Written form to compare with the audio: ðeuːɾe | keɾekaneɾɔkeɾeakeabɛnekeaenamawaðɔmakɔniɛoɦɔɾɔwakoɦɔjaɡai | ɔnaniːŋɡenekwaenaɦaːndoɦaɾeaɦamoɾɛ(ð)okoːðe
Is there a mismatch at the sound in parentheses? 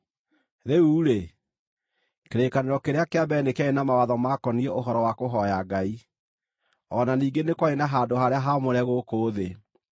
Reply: yes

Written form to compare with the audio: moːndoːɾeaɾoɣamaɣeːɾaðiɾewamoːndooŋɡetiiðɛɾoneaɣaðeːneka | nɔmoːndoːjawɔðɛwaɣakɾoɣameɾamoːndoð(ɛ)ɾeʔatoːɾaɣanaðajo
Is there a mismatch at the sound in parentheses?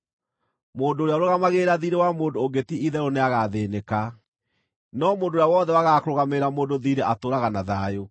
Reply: yes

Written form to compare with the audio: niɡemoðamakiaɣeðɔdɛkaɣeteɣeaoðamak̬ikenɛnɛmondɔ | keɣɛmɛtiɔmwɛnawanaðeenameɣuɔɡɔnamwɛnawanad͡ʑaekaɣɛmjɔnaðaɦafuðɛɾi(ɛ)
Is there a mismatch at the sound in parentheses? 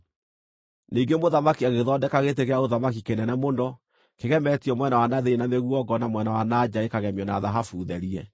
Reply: no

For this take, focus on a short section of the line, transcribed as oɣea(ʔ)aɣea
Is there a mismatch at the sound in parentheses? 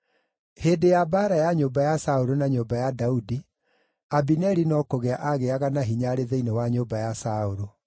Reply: no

